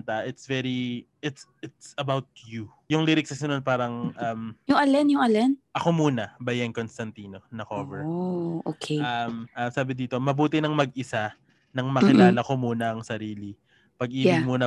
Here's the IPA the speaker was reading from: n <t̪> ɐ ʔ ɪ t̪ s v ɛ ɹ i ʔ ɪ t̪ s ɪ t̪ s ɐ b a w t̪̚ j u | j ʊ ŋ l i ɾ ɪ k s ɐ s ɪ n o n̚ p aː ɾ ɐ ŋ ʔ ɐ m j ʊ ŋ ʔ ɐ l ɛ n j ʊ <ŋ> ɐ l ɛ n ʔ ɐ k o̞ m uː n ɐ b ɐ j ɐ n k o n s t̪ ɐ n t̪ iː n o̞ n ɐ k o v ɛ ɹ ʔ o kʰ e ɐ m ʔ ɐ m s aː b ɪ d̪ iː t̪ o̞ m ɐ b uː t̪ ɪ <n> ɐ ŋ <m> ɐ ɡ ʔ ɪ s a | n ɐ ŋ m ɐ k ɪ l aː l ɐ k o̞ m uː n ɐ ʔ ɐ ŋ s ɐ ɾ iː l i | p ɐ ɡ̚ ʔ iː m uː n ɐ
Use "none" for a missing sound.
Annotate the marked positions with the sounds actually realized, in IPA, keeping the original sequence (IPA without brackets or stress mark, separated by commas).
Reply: t̪, ŋ, n, m